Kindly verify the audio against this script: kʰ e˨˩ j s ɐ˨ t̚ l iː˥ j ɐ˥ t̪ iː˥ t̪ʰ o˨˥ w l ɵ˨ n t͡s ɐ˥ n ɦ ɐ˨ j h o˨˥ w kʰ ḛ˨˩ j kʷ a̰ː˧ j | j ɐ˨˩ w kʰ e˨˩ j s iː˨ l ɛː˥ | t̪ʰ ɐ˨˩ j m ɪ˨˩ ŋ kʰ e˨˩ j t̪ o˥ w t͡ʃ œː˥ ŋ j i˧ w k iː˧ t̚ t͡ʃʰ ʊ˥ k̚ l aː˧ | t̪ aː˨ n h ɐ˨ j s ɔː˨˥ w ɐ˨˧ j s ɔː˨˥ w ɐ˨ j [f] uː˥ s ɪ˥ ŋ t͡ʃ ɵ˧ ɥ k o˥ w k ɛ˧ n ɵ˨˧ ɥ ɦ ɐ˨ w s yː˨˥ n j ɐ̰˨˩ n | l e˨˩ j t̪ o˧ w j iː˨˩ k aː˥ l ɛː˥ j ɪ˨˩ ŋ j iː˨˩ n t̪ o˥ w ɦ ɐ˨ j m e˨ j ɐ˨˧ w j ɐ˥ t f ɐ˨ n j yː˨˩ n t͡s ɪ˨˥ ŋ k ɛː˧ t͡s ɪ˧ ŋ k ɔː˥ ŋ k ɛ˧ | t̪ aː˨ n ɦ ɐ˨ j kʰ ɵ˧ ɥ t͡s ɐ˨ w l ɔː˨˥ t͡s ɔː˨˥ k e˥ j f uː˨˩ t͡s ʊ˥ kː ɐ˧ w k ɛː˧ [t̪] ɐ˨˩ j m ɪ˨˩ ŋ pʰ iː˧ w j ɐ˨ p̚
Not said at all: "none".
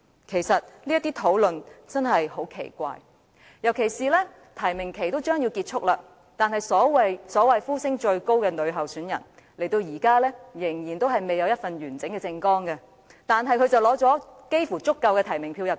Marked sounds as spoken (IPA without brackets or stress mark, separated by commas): f, t̪ʰ